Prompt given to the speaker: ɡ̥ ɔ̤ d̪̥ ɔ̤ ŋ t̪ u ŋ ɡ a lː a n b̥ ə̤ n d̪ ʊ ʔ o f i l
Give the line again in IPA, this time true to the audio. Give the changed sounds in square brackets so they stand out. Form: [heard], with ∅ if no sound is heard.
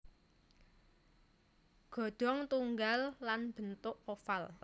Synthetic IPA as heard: ɡ̥ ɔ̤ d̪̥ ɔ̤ ŋ t̪ u ŋ ɡ a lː a n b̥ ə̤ n [t̪] ʊ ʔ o f [a] l

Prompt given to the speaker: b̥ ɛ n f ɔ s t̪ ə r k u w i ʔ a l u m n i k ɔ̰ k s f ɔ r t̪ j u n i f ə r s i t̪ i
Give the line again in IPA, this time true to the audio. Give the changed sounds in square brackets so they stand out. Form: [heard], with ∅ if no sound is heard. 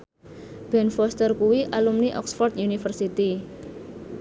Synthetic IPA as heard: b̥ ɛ n f ɔ s t̪ ə r k u w i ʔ a l u m n i [ʔ] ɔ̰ k s f ɔ r t̪ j u n i f ə r s i t̪ i

